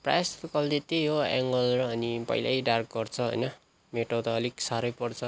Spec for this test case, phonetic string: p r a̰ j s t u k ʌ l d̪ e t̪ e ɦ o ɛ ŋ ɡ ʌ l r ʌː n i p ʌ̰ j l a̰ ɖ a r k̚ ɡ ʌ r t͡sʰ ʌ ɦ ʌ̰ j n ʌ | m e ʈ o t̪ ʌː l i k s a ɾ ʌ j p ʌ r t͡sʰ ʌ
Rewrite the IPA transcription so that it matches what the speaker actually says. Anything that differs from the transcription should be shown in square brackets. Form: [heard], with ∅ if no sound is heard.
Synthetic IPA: p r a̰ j s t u k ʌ l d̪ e t̪ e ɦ o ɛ ŋ ɡ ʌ l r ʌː n i p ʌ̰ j l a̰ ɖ a r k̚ ɡ ʌ r t͡sʰ ʌ ɦ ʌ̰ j n ʌ | m e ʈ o t̪ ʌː l i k s a ɾ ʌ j p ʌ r t͡sʰ ʌ